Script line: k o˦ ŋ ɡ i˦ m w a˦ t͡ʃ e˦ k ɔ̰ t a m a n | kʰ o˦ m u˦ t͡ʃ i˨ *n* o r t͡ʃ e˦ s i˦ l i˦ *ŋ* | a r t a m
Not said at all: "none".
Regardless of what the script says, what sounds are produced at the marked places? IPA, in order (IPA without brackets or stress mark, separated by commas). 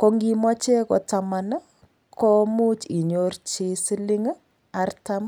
ɲ, ŋ